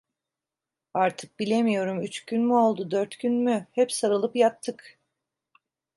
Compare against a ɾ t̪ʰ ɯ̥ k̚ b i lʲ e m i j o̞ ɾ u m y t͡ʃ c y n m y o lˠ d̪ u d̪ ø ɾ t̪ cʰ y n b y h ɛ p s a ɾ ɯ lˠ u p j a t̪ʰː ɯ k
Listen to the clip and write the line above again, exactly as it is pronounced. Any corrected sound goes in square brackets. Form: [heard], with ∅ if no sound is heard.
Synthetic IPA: a ɾ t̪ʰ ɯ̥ k̚ b i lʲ e m i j o̞ ɾ u m y t͡ʃ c y n m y o lˠ d̪ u d̪ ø ɾ t̪ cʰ y n [m] y h ɛ p s a ɾ ɯ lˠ [ɯ] p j a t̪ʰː ɯ k